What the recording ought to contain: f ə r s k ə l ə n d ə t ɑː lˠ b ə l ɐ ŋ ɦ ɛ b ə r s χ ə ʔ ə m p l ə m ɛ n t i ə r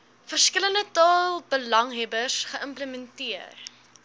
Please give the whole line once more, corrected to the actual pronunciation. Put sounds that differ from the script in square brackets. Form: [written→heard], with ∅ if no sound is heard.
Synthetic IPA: f ə r s k ə l ə n d ə t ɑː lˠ b ə l ɐ ŋ ɦ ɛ b ə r s χ ə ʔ ə m p l ə m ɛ n t i ə r

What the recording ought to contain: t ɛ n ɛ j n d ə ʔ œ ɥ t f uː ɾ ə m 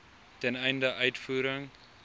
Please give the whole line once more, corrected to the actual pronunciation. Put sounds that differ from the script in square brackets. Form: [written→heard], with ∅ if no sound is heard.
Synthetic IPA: t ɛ n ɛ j n d ə ʔ œ ɥ t f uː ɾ ə [m→ŋ]

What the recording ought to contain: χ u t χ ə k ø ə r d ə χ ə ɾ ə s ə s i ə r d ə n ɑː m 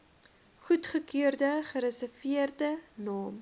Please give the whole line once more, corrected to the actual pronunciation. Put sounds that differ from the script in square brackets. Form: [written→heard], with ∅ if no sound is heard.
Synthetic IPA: χ u t χ ə k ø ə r d ə χ ə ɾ ə s ə [s→f] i ə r d ə n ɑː m

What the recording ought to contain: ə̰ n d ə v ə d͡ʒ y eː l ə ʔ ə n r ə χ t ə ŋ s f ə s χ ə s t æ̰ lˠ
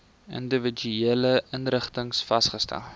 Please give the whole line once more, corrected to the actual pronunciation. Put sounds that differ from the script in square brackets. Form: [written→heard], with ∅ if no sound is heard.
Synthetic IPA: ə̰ n d ə v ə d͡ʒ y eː l ə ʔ ə n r ə χ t ə ŋ s f [ə→ɐ] s χ ə s t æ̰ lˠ

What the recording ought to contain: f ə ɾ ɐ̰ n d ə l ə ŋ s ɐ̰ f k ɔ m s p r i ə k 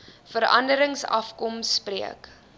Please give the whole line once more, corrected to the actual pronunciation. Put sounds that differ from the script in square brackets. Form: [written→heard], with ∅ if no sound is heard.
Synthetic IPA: f ə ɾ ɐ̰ n d ə [l→ɾ] ə ŋ s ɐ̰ f k ɔ m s p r i ə k

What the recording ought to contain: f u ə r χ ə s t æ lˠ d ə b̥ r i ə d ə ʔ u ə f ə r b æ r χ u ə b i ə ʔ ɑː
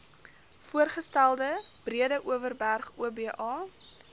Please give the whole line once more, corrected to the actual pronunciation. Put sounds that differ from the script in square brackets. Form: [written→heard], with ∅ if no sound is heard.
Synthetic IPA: f u ə r χ ə s t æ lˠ d ə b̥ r i ə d ə ʔ u ə [f→v] ə r b æ r χ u ə b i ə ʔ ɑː

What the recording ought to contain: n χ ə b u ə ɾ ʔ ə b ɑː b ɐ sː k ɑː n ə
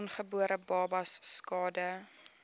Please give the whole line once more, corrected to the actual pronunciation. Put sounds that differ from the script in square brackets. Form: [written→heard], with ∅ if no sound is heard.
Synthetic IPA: n χ ə b u ə ɾ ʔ ə b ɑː b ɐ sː k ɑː [n→d] ə

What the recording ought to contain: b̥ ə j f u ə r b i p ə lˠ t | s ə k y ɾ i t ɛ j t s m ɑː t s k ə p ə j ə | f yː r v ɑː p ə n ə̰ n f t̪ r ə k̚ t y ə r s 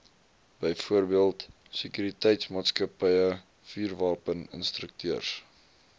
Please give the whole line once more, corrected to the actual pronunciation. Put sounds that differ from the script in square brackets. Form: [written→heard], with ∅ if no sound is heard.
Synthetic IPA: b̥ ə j f u ə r b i [p→∅] ə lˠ t | s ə k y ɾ i t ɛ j t s m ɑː t s k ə p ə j ə | f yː r v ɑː p ə n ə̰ n [f→s] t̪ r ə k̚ t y ə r s

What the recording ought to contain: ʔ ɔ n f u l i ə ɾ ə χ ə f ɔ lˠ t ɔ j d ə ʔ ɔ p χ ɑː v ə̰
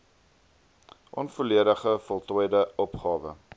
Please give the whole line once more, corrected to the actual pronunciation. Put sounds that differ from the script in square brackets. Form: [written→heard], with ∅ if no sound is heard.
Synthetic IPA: ʔ ɔ n f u l i ə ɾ ə χ ə f ɔ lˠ t ɔ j d ə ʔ ɔ p χ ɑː v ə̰

